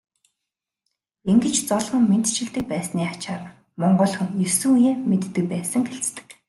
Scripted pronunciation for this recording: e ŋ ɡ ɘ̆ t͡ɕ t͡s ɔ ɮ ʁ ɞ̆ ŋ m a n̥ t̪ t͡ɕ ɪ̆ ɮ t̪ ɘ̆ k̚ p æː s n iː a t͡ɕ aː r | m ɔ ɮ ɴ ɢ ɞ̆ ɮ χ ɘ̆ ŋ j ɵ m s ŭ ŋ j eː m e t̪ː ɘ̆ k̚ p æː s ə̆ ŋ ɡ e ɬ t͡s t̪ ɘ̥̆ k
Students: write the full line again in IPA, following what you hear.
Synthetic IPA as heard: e ŋ ɡ ɘ̆ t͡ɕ t͡s ɔ ɮ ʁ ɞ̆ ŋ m e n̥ t̪ t͡ɕ ɪ̆ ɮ t̪ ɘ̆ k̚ p æː s n iː a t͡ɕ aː r | m ɔ ɴ ɢ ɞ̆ ɮ χ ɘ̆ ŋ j ɵ s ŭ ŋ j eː m e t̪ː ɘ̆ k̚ p æː s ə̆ ŋ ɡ e ɬ t͡s t̪ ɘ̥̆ k